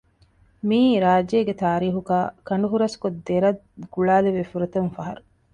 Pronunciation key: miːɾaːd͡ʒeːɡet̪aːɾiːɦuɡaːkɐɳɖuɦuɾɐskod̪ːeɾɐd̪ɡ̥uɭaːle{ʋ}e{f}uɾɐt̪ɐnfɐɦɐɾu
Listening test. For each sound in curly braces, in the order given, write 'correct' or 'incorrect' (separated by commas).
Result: correct, correct